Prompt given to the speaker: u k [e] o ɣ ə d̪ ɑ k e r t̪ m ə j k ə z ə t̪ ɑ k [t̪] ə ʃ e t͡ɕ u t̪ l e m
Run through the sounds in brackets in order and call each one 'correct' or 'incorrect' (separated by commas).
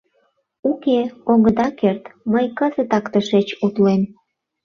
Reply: correct, correct